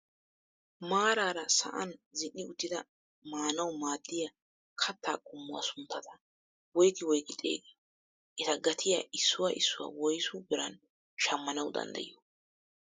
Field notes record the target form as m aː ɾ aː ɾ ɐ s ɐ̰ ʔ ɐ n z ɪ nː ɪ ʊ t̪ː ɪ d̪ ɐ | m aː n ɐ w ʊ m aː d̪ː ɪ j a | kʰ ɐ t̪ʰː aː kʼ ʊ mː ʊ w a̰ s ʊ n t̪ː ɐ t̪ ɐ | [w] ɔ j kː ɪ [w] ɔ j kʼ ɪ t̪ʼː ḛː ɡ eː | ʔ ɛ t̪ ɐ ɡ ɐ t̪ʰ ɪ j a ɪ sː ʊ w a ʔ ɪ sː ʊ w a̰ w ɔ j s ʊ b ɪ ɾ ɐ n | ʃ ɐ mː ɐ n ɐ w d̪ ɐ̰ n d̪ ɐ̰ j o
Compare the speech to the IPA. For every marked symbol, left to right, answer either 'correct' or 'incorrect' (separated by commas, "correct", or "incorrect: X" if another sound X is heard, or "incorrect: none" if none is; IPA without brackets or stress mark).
correct, correct